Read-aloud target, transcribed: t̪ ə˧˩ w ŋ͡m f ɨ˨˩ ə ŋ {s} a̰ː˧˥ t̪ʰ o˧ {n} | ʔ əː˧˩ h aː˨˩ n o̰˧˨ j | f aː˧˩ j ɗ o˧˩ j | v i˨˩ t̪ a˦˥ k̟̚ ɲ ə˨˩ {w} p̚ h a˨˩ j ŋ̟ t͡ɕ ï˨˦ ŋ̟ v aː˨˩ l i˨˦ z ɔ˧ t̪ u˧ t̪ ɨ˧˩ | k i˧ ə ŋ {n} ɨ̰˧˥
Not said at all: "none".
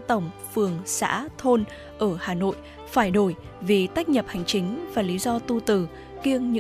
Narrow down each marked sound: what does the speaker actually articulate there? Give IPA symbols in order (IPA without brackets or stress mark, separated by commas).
s, n, none, ɲ